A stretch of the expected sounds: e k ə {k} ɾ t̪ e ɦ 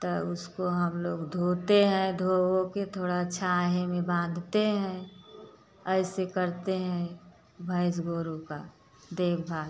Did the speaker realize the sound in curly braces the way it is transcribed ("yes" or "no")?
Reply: no